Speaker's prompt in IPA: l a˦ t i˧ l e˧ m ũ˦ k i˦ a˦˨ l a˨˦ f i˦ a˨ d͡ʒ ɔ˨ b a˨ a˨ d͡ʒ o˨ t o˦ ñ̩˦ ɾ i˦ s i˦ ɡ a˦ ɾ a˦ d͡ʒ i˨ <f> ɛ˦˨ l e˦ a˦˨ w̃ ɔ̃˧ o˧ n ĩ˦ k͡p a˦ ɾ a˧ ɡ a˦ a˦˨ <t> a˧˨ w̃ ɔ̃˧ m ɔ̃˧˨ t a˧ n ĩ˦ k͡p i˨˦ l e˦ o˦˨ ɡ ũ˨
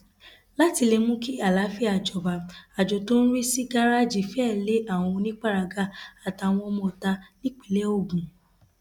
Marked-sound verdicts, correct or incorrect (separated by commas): correct, correct